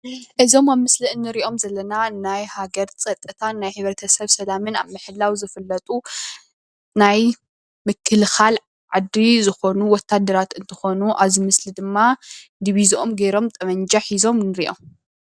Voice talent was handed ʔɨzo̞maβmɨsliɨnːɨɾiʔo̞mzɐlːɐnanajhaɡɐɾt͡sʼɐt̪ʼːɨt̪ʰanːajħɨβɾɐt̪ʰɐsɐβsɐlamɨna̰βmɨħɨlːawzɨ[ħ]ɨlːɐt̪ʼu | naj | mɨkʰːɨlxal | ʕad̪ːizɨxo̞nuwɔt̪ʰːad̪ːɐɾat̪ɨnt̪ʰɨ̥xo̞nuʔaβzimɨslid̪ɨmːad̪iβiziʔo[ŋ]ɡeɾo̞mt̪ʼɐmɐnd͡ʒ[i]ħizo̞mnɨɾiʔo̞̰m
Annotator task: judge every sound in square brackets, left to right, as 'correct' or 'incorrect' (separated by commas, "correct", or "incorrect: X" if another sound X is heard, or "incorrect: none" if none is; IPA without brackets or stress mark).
incorrect: f, incorrect: m, incorrect: a